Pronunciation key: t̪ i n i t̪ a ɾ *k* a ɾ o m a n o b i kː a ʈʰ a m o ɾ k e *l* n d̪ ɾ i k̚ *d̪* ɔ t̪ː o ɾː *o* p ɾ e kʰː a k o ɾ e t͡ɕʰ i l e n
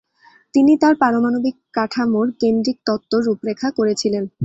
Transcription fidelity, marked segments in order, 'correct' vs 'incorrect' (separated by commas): incorrect, incorrect, incorrect, incorrect